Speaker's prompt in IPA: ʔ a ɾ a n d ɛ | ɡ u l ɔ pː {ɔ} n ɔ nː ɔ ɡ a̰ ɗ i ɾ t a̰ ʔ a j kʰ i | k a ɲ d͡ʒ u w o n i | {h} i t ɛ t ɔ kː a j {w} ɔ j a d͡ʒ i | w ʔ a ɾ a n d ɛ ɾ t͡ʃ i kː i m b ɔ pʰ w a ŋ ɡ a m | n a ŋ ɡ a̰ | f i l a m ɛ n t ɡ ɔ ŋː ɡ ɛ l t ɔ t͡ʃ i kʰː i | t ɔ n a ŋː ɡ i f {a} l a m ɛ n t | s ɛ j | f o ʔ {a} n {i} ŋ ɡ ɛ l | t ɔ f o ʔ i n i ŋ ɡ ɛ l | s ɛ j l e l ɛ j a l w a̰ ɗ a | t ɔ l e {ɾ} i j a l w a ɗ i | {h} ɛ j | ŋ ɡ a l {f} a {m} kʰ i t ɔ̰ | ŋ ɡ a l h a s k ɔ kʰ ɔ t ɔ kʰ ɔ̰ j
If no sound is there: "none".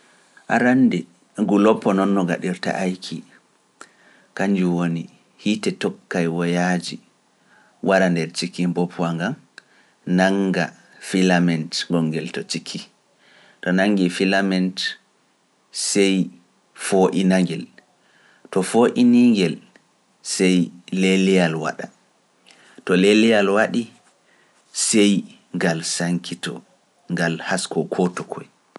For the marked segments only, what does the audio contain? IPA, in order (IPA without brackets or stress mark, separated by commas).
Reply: ɔ, h, w, i, i, a, l, s, s, ŋ